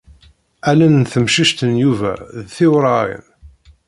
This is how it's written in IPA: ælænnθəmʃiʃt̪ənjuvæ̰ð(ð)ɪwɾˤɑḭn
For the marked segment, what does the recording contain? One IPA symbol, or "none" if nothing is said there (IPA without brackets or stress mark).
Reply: θ